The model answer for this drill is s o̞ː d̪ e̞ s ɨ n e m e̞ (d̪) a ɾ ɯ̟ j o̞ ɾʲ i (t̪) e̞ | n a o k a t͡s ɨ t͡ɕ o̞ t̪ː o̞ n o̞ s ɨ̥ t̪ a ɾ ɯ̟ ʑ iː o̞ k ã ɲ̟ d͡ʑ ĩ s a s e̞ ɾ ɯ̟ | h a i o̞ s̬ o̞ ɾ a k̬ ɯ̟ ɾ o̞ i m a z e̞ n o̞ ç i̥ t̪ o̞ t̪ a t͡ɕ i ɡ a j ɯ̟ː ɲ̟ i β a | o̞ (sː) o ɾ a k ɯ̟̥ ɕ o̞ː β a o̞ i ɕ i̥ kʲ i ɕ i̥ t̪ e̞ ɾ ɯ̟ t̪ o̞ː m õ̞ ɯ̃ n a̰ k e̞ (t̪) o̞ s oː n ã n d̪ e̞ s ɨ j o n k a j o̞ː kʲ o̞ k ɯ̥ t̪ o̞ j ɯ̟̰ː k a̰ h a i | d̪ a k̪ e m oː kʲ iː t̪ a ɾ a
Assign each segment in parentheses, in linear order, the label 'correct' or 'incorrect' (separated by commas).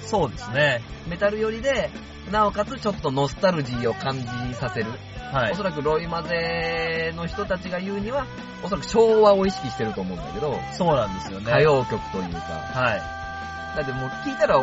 incorrect, incorrect, incorrect, incorrect